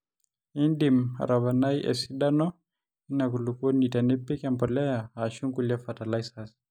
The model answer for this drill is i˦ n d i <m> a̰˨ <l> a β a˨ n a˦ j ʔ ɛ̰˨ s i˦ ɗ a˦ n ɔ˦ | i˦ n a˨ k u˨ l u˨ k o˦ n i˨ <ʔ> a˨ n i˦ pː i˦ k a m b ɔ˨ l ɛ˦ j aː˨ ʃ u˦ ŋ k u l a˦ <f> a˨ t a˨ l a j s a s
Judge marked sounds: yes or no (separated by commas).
yes, no, no, yes